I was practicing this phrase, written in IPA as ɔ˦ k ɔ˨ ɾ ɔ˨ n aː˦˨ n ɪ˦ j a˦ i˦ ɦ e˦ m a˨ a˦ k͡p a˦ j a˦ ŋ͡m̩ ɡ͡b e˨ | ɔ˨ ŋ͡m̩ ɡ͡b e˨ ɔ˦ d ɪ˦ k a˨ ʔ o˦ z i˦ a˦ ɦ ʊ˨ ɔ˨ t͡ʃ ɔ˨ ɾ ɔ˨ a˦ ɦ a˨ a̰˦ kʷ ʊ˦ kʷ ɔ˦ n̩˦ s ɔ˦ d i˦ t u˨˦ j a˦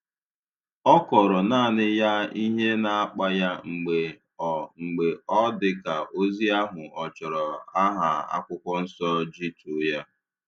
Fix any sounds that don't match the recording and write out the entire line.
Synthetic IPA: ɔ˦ k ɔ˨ ɾ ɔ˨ n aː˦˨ n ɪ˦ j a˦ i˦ ɦ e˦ n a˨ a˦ k͡p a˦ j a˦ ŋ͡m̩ ɡ͡b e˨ | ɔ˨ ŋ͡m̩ ɡ͡b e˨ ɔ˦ d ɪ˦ k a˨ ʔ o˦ z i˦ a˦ ɦ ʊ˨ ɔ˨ t͡ʃ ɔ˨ ɾ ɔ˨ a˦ ɦ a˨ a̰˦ kʷ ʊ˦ kʷ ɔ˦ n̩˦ s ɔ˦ d͡ʒ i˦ t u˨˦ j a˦